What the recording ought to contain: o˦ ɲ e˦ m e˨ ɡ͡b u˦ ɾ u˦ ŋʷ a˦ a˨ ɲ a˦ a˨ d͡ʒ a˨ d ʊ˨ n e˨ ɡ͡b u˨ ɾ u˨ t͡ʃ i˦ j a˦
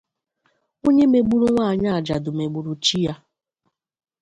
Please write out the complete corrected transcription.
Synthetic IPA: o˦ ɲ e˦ m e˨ ɡ͡b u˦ ɾ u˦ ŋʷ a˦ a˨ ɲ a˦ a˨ d͡ʒ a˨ d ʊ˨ m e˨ ɡ͡b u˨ ɾ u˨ t͡ʃ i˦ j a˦